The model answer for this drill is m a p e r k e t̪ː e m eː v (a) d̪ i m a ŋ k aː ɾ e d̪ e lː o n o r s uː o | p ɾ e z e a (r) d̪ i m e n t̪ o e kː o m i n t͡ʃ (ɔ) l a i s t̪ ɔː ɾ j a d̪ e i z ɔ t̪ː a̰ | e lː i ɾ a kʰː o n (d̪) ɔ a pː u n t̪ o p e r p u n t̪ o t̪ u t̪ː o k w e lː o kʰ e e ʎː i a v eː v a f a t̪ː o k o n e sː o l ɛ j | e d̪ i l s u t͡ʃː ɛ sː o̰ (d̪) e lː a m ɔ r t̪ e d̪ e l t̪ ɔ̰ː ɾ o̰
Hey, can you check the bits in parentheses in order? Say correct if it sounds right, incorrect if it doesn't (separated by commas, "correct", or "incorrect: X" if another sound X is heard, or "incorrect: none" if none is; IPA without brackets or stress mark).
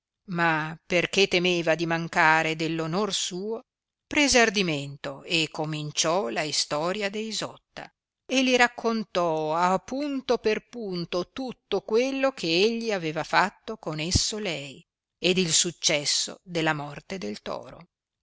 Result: correct, correct, correct, incorrect: t̪, correct